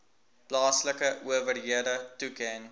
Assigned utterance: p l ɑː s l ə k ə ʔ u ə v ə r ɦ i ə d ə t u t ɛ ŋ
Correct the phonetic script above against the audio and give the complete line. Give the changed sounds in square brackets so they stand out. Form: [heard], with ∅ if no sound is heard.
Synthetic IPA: p l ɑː s l ə k ə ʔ u ə v ə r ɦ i ə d ə t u [k] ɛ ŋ